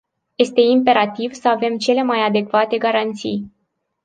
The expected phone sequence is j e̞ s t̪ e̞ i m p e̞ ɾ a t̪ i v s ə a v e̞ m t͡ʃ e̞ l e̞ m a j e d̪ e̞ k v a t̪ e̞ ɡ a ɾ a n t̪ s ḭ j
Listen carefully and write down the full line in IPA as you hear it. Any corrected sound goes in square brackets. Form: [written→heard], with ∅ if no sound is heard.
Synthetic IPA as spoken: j e̞ s t̪ e̞ i m p e̞ ɾ a t̪ i v s ə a v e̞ m t͡ʃ e̞ l e̞ m a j [e→a] d̪ e̞ k v a t̪ e̞ ɡ a ɾ a n t̪ s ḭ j